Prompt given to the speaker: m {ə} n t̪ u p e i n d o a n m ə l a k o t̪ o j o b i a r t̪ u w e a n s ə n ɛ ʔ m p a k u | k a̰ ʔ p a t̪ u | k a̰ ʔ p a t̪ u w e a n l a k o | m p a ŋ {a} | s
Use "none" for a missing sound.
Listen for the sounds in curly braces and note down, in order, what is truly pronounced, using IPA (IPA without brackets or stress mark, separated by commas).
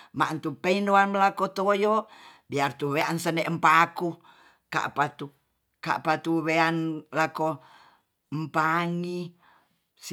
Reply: a, i